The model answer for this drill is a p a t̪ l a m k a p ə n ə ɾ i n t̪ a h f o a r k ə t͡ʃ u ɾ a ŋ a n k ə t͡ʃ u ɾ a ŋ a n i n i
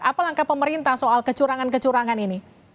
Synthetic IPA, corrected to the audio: a p a l a ŋ k a p ə m ə ɾ i n t̪ a h s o a l k ə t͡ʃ u ɾ a ŋ a n k ə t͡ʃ u ɾ a ŋ a n i n i